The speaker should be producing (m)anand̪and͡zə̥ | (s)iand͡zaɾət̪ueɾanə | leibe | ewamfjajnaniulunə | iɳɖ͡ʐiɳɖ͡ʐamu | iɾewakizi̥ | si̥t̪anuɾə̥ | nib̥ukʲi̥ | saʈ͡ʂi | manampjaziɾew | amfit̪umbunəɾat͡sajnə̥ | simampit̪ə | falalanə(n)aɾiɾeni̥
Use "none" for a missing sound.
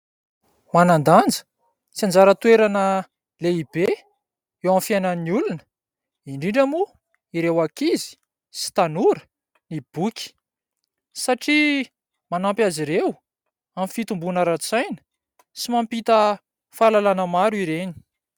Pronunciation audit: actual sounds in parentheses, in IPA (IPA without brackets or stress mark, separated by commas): m, t͡s, m